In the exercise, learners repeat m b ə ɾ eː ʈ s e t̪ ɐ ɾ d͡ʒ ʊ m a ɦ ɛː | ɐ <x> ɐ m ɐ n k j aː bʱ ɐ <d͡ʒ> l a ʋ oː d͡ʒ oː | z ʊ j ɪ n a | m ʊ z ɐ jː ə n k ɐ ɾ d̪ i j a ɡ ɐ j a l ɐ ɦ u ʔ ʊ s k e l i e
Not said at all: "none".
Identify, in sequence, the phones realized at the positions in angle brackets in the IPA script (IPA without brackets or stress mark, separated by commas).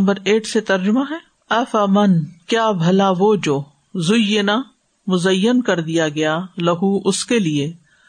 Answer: f, none